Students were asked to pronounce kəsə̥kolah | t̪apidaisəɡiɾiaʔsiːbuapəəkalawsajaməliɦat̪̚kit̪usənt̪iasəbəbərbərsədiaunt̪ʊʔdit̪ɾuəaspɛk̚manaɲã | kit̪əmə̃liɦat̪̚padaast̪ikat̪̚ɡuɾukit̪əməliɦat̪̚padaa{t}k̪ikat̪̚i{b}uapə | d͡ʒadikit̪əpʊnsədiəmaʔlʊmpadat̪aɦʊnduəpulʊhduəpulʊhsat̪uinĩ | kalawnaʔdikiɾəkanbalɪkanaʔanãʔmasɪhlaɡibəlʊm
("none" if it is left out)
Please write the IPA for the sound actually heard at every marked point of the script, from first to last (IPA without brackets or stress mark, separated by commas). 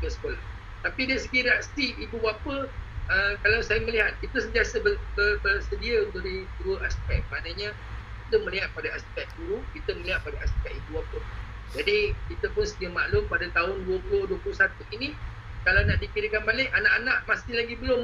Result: s, b